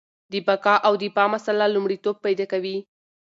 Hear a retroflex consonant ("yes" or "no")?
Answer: yes